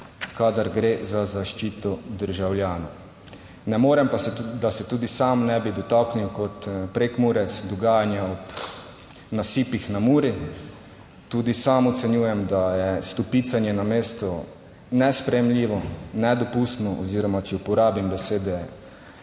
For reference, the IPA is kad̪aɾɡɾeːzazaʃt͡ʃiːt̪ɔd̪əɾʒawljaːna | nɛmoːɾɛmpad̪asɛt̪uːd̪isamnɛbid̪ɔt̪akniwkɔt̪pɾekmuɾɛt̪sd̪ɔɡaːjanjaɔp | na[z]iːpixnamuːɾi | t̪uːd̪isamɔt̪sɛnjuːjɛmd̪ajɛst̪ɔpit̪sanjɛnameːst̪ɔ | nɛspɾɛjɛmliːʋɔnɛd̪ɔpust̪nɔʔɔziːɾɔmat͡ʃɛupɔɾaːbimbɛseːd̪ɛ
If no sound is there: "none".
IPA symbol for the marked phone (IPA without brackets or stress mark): s